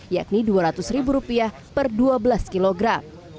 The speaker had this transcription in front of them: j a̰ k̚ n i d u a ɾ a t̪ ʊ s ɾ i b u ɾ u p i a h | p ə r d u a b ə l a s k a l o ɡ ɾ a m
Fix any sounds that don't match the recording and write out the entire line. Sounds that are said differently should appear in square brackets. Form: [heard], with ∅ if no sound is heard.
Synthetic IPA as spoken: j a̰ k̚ n i d u a ɾ a t̪ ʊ s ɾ i b u ɾ u p i a h | p ə r d u a b ə l a s k [i] l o ɡ ɾ a m